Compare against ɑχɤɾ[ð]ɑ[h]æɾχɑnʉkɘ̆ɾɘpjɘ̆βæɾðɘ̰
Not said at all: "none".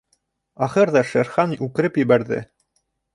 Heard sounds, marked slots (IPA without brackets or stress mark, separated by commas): ð, ʃ